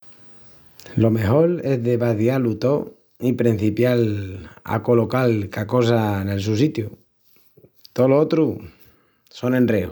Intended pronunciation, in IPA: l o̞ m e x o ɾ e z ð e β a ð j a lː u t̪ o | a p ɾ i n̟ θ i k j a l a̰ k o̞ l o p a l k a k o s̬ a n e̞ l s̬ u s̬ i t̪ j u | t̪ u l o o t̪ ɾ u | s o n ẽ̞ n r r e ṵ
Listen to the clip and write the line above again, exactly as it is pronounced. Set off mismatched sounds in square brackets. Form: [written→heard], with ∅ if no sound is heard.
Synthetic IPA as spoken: l o̞ m e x o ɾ e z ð e β a ð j a [lː→l] u t̪ o | [a→i] p ɾ i n̟ θ i [k→p] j a l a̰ k o̞ l o [p→k] a l k a k o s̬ a n e̞ l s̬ u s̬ i t̪ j u | t̪ [u→o] l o o t̪ ɾ u | s o n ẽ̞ n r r e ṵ